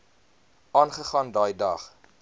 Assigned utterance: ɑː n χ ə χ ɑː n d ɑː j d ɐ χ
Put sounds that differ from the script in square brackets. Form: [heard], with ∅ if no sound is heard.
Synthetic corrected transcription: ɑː n χ ə χ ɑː n d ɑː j d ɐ χ